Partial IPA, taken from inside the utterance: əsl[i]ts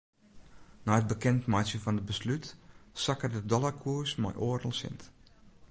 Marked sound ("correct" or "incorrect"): incorrect